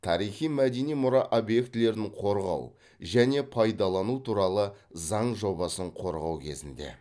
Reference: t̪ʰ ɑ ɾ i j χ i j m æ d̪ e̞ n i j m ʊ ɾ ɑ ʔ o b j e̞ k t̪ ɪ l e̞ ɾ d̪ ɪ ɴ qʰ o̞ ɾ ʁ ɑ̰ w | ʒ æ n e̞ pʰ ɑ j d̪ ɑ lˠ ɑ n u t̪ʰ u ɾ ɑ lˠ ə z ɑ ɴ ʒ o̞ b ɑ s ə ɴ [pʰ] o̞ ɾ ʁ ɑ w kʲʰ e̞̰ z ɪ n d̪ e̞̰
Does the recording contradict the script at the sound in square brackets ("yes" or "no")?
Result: yes